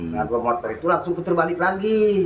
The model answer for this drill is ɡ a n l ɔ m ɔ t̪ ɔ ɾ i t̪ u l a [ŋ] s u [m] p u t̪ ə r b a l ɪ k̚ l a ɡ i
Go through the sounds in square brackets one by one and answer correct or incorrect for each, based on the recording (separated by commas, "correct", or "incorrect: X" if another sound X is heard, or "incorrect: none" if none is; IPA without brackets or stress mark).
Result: correct, incorrect: ŋ